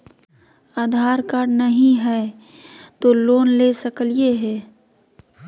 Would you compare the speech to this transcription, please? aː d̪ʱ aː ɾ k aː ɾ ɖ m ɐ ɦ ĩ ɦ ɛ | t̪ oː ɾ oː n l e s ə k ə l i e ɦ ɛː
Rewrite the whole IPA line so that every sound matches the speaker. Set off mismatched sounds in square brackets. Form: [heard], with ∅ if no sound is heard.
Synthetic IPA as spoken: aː d̪ʱ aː ɾ k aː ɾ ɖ [n] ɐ ɦ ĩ ɦ ɛ | t̪ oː [l] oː n l e s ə k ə l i e ɦ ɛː